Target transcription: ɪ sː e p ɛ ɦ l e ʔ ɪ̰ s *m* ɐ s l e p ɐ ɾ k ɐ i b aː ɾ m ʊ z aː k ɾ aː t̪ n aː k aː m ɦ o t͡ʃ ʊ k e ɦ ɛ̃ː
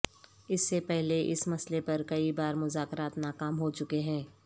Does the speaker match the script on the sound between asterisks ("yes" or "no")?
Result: yes